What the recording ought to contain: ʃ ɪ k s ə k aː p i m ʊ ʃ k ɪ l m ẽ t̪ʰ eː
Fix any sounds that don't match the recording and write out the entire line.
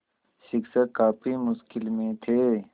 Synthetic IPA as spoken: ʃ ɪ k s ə k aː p i m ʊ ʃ k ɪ l m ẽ t̪ʰ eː